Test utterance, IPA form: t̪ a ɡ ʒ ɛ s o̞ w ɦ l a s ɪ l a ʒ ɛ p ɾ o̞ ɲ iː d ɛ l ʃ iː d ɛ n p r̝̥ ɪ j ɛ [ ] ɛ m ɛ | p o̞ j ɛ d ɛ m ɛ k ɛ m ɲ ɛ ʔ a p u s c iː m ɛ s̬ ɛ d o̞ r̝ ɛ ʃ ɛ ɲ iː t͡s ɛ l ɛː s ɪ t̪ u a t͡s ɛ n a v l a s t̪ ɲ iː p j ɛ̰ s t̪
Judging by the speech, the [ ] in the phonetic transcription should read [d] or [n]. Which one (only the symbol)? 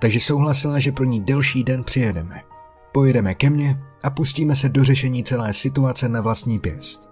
d